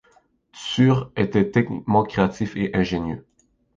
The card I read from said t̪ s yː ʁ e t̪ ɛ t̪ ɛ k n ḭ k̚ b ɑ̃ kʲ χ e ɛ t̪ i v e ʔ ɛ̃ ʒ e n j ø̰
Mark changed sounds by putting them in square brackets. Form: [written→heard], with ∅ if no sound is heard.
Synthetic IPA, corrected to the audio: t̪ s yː ʁ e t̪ ɛ t̪ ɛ k n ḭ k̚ [b→m] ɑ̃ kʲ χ e [ɛ→a] t̪ i [v→f] e ʔ ɛ̃ ʒ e n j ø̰